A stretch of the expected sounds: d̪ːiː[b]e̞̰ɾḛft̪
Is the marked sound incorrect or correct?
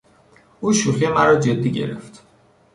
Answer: incorrect